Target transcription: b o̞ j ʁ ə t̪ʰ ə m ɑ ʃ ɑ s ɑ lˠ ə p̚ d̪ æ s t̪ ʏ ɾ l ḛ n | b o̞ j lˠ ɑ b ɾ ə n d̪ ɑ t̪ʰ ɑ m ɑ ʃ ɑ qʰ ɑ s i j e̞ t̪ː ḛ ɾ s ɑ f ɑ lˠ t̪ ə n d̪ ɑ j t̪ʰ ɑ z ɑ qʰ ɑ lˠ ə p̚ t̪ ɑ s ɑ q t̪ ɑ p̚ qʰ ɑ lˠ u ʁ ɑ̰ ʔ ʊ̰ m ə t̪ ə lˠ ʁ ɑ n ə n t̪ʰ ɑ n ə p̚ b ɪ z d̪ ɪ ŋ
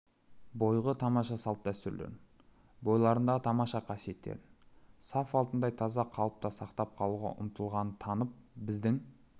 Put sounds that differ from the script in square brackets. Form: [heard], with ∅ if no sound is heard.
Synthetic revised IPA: b o̞ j ʁ ə t̪ʰ [ɑ] m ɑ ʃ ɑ s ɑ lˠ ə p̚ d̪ æ s t̪ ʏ ɾ l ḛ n | b o̞ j lˠ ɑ [∅] ɾ ə n d̪ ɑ t̪ʰ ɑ m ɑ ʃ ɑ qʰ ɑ s i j e̞ t̪ː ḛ ɾ s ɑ f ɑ lˠ t̪ ə n d̪ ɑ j t̪ʰ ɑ z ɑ qʰ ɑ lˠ ə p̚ t̪ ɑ s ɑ q t̪ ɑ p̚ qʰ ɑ lˠ u ʁ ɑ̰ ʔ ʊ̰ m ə t̪ ə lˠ ʁ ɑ n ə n t̪ʰ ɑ n ə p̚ b ɪ z d̪ ɪ ŋ